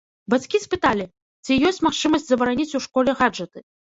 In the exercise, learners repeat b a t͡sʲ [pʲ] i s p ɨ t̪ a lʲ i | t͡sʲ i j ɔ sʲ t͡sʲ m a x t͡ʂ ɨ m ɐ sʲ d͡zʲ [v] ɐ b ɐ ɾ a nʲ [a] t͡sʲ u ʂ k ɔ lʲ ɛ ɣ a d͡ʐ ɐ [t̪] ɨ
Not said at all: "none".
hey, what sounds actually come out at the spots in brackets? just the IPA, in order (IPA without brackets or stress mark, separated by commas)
kʲ, z, i, t̪